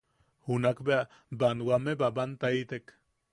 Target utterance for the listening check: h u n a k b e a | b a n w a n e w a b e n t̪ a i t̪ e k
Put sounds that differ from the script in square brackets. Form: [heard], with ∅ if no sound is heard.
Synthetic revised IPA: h u n a k b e a | b a n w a [m] e [b] a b [a] n t̪ a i t̪ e k